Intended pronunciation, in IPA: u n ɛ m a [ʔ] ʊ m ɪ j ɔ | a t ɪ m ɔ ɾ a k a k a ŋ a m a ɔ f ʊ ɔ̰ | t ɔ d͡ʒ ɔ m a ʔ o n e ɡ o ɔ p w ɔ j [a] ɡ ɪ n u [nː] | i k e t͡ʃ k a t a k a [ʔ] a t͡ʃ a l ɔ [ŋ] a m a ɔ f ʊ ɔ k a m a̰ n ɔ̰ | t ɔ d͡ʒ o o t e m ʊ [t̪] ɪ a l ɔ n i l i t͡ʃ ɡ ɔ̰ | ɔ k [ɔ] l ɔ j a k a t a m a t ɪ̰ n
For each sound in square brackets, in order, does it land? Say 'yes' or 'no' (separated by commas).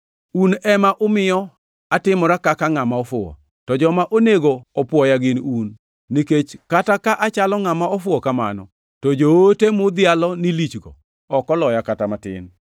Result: yes, yes, yes, yes, yes, no, yes